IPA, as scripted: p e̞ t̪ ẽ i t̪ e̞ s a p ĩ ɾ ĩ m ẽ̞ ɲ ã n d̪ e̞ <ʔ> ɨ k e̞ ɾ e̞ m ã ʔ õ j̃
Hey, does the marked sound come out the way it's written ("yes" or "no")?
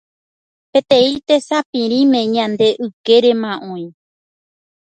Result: yes